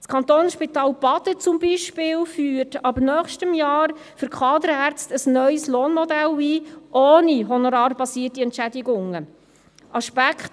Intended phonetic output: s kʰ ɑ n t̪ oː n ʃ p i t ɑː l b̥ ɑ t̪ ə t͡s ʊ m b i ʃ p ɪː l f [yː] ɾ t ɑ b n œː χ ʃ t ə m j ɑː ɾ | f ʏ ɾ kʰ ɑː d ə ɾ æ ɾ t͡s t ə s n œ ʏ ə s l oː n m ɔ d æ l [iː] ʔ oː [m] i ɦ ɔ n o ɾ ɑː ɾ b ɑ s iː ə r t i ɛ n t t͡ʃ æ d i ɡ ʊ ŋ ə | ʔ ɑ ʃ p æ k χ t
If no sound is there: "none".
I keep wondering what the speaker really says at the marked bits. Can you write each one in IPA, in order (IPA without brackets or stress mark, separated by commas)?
yː, iː, n